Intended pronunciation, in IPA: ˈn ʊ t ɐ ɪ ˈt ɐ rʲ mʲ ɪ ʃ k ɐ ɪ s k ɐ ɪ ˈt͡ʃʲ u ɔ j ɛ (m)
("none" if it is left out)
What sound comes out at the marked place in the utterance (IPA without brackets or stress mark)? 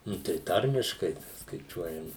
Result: m